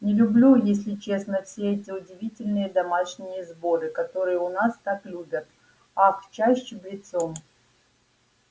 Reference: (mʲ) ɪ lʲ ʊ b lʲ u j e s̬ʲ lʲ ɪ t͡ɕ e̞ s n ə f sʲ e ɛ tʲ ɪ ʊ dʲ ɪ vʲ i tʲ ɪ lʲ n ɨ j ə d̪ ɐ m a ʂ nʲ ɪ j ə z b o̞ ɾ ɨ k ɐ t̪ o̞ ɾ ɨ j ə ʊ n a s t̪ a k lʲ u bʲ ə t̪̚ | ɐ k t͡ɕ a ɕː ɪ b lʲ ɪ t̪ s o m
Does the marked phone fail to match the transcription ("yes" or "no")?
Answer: yes